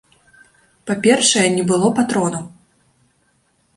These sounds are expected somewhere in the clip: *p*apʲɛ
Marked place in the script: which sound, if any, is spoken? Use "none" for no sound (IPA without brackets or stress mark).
p